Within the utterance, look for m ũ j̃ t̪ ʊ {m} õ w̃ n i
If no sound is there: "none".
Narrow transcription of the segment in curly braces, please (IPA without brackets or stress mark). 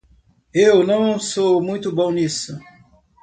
b